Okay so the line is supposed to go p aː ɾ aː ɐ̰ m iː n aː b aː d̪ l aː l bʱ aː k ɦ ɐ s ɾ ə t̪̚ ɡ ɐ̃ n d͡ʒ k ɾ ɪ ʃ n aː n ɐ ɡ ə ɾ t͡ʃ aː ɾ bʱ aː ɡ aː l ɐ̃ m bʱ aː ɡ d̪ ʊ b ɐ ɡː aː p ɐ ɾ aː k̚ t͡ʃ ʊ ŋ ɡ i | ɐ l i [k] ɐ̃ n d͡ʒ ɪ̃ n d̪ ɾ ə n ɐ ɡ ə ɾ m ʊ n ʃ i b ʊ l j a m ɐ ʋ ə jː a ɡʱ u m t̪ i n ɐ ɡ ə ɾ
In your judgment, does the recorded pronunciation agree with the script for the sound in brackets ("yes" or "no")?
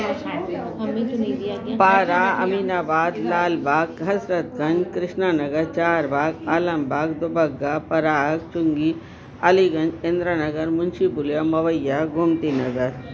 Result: no